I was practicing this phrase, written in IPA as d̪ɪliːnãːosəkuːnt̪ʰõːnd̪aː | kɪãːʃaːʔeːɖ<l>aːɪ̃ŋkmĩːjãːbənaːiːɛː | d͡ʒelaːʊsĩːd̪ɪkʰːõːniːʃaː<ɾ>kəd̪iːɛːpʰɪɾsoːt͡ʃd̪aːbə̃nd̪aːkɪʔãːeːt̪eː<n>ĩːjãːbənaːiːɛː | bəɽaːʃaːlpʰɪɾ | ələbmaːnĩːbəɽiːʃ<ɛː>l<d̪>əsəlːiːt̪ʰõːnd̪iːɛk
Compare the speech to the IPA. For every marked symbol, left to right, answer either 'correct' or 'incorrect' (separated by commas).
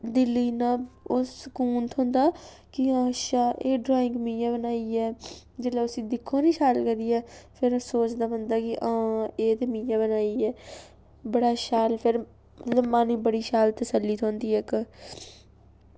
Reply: incorrect, incorrect, incorrect, incorrect, incorrect